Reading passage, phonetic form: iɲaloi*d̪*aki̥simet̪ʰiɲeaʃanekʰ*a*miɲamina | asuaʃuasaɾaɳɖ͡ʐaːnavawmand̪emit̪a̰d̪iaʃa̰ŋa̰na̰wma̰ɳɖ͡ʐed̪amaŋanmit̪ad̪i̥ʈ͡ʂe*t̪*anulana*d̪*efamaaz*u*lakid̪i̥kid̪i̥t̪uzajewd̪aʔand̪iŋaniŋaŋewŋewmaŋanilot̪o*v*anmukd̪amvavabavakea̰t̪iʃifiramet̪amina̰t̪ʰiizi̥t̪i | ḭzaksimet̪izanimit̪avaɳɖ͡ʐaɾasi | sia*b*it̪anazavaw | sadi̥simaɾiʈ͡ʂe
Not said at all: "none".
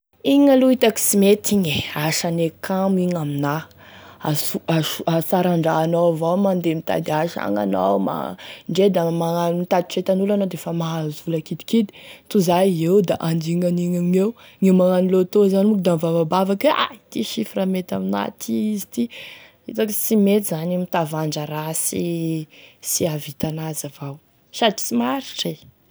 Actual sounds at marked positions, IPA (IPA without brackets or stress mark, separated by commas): t̪, a, t̪, d̪, u, z, v